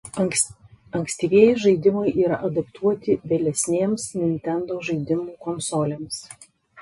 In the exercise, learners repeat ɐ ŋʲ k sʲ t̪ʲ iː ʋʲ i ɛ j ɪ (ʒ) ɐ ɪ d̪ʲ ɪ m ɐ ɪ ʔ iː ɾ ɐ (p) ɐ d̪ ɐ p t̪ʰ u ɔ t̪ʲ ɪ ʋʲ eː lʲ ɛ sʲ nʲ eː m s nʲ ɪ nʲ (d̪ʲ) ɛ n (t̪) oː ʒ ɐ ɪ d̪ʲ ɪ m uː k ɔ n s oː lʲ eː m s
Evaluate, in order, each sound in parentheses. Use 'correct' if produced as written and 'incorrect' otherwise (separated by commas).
correct, incorrect, incorrect, incorrect